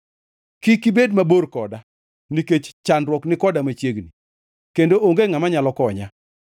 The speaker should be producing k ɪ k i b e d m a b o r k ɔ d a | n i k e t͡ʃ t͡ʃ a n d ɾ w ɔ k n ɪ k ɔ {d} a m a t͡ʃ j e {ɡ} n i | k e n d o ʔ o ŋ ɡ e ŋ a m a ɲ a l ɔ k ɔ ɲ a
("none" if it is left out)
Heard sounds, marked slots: d, ɡ

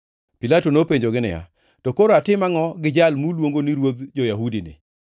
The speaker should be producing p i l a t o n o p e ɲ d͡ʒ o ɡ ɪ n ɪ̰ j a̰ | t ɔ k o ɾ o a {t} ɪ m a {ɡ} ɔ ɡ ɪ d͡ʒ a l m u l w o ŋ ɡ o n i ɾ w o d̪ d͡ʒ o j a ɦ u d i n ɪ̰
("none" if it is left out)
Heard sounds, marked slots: t, ŋ

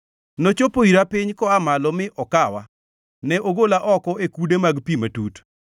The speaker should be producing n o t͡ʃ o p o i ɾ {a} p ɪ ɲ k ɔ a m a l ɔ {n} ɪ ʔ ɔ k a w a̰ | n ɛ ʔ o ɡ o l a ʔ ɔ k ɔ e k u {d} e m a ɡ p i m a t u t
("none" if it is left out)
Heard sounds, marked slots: a, m, d

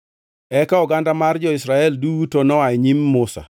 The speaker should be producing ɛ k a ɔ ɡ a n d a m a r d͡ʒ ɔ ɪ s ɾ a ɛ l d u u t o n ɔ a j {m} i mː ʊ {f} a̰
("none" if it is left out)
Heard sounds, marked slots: ɲ, s

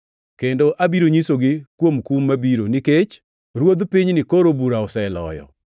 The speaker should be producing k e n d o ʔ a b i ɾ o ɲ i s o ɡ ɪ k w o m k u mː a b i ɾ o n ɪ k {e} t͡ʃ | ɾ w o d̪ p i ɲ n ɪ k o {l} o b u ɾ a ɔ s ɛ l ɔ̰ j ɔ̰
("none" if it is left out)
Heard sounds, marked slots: e, ɾ

